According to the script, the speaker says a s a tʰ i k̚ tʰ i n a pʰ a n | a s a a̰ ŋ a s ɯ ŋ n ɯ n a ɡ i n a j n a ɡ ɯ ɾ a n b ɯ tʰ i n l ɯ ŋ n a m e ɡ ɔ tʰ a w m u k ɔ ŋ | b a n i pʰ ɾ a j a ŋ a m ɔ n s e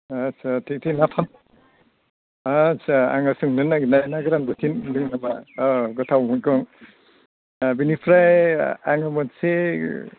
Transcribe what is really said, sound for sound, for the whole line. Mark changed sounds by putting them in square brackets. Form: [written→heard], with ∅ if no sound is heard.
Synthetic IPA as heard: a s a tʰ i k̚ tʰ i n a pʰ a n | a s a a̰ ŋ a s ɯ ŋ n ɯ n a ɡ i n a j n a ɡ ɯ ɾ a n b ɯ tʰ i n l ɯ ŋ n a m [e→a] ɡ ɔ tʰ a w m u k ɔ ŋ | b [a→i] n i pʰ ɾ a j a ŋ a m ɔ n s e